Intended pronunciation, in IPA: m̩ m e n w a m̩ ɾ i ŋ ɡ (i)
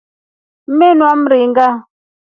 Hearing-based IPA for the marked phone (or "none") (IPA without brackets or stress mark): a